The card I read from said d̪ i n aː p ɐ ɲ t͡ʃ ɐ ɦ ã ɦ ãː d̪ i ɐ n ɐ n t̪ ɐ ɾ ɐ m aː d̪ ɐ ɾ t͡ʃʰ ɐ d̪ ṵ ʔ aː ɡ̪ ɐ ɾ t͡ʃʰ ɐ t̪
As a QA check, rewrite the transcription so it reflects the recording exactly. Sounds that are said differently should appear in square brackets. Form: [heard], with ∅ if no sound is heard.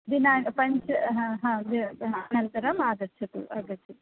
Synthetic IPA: d̪ i n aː p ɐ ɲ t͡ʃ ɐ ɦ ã ɦ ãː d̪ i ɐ n ɐ n t̪ ɐ ɾ ɐ m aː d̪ ɐ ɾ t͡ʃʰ ɐ [t̪] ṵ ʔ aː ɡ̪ ɐ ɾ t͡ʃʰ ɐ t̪